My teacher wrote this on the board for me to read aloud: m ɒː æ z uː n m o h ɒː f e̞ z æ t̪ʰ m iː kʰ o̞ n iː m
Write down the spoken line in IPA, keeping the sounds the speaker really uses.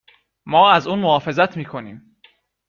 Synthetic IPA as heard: m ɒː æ z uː n m o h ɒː f e̞ z æ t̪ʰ m iː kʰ o̞ n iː m